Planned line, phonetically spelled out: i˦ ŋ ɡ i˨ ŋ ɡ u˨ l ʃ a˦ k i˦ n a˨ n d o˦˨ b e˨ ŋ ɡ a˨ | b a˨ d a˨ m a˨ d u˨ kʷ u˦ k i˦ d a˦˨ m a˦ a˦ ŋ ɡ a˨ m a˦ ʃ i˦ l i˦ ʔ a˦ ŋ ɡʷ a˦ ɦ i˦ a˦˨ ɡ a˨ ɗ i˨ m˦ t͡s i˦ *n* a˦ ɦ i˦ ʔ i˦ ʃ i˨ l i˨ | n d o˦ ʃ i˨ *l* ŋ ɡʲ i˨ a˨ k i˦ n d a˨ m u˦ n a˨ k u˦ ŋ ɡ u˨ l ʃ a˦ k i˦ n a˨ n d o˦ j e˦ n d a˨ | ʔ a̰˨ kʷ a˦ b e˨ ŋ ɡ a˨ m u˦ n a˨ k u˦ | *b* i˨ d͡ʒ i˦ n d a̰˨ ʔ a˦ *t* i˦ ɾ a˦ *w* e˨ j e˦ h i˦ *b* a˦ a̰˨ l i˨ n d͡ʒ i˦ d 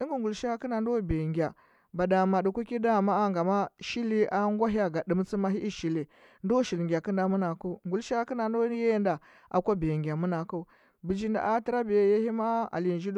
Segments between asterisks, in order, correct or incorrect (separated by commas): incorrect, correct, correct, correct, incorrect, incorrect